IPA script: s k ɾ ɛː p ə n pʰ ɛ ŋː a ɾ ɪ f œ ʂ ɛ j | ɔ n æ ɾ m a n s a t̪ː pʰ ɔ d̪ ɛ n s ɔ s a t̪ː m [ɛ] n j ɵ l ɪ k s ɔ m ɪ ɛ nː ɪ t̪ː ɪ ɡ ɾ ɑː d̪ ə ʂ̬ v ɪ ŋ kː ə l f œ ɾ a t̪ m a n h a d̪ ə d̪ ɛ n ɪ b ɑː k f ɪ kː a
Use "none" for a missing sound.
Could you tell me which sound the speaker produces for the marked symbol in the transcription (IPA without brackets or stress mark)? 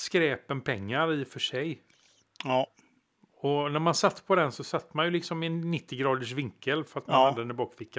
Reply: a